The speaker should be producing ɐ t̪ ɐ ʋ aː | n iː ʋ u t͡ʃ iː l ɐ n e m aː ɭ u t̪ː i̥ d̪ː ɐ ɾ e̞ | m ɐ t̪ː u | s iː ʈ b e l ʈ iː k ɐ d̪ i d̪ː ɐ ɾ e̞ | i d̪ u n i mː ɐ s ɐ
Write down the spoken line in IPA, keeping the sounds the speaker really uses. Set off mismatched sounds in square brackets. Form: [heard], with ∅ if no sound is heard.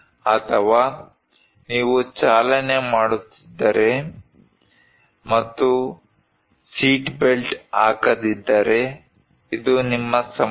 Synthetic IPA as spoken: ɐ [t̪ʰ] ɐ ʋ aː | n iː ʋ u t͡ʃ [aː] l ɐ n e m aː [ɽ] u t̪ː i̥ d̪ː ɐ ɾ e̞ | m ɐ t̪ː u | s iː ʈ b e l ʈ [aː] k ɐ d̪ i d̪ː ɐ ɾ e̞ | i d̪ u n i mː ɐ s ɐ